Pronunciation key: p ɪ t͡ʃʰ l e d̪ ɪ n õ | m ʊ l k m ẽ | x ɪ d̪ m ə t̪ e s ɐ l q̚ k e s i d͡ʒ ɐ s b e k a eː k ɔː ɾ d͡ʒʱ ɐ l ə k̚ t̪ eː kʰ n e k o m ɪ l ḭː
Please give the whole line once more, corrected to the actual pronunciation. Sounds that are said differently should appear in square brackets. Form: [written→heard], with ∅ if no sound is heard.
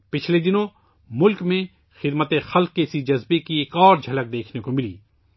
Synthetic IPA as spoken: p ɪ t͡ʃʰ l e d̪ ɪ n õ | m ʊ l k m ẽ | x ɪ d̪ m ə t̪ e [s→x] ɐ l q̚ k e s i d͡ʒ ɐ [s→z] b e k [a→i] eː k ɔː ɾ d͡ʒʱ ɐ l ə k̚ [t̪→d̪] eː kʰ n e k o m ɪ l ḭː